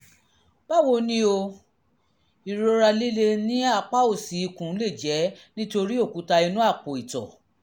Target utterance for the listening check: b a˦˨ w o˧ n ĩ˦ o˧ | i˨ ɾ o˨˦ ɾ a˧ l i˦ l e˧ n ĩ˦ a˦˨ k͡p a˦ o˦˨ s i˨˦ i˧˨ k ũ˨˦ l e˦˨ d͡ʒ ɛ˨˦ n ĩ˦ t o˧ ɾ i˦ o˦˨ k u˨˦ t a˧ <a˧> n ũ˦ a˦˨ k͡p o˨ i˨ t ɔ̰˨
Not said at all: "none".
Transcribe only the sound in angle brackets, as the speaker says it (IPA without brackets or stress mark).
i˧